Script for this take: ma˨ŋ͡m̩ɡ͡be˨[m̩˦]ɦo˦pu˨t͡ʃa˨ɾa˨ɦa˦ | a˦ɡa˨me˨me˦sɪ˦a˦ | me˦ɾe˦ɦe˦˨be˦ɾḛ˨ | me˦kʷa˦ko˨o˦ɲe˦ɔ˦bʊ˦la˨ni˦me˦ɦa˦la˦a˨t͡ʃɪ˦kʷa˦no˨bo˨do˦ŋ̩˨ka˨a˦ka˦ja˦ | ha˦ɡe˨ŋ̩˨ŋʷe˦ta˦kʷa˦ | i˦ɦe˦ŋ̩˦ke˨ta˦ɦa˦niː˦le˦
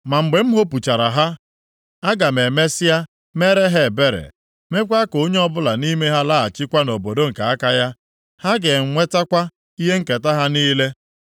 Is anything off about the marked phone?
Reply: no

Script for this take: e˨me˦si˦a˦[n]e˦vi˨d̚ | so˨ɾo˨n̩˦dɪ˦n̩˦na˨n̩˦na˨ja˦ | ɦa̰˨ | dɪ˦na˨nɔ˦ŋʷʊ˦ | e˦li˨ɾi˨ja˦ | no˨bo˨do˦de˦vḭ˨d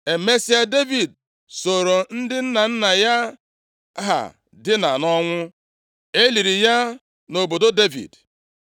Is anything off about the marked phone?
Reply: yes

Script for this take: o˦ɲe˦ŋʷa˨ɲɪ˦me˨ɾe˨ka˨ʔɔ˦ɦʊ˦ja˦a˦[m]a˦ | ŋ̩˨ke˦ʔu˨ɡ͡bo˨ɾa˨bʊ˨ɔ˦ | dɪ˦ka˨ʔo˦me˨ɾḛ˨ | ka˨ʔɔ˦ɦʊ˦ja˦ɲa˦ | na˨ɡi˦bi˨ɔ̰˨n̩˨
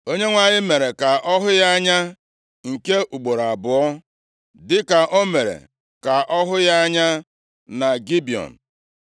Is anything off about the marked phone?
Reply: yes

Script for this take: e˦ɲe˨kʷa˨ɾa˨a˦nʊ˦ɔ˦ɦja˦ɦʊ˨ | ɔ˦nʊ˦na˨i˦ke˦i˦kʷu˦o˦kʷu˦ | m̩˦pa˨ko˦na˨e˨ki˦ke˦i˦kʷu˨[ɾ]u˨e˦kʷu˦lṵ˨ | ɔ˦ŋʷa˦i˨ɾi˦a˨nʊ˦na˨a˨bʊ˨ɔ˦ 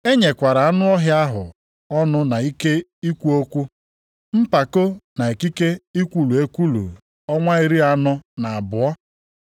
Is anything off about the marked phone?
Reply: yes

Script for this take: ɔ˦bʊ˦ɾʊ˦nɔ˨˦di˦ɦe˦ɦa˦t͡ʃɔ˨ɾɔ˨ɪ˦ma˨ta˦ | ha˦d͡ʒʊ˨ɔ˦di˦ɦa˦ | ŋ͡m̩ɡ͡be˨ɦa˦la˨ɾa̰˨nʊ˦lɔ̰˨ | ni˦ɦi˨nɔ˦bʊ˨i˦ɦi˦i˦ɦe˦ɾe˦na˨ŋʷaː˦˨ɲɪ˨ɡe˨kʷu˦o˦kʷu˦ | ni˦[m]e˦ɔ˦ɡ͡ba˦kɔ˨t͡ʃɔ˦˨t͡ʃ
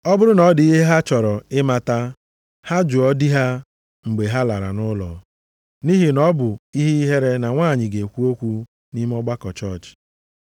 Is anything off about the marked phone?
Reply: no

